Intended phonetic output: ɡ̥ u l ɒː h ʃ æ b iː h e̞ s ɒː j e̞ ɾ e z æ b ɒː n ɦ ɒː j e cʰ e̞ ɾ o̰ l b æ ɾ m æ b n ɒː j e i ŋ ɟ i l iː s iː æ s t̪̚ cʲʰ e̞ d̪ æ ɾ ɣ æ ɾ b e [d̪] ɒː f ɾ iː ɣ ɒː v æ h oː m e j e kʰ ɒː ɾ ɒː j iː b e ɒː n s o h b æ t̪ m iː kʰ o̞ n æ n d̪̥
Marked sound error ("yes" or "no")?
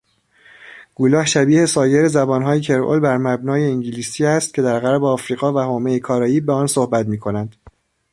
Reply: yes